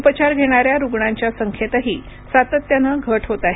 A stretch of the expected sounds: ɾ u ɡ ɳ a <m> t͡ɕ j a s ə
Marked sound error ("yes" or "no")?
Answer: yes